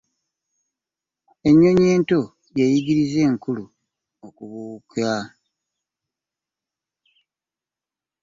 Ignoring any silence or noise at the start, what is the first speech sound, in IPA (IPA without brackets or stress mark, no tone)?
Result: e̞